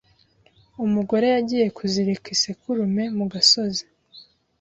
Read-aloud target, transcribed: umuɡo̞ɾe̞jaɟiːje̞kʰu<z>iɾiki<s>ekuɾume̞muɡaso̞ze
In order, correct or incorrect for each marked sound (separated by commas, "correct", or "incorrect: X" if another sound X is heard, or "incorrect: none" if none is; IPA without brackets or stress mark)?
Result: correct, correct